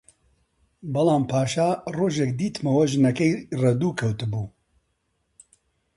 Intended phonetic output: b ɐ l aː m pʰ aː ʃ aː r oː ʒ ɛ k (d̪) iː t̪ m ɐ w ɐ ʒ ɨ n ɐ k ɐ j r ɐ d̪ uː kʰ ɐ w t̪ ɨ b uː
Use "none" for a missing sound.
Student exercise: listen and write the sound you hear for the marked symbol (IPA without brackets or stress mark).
d̪